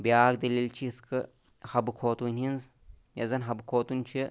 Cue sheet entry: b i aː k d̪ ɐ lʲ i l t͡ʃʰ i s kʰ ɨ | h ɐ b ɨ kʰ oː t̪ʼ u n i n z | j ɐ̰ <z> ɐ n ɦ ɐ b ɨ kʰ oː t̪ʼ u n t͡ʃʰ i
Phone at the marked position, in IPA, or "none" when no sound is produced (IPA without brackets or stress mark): z